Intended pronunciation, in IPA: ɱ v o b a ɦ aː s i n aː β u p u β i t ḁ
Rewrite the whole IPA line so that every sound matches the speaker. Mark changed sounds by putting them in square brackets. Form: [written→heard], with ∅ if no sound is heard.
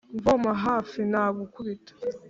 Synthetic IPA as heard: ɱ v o [b→m] a ɦ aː [s→f] i n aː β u [p→k] u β i t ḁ

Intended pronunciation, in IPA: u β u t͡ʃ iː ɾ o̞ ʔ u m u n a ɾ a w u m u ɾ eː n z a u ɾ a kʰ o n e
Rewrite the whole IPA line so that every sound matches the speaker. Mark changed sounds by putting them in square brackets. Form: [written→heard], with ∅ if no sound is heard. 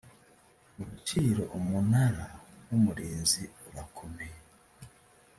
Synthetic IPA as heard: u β u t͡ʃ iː ɾ o̞ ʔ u m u n a ɾ a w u m u ɾ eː n z [a→i] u ɾ a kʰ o [n→m] e

